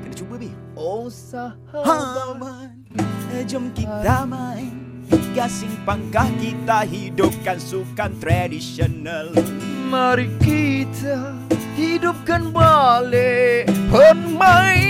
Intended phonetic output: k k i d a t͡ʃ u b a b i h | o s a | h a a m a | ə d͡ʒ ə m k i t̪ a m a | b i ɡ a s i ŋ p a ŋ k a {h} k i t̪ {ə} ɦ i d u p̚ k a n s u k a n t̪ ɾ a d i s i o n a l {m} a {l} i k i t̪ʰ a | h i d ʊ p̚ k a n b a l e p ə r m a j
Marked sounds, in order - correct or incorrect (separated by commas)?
correct, incorrect, correct, incorrect